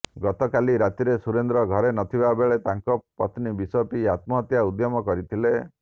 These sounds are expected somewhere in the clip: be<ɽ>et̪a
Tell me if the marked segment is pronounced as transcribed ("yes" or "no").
no